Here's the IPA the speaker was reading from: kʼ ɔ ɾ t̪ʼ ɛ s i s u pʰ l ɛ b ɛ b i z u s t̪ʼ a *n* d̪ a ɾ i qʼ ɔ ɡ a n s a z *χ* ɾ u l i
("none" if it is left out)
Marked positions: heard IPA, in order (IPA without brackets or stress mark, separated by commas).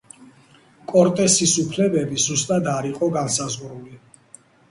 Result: none, ʁ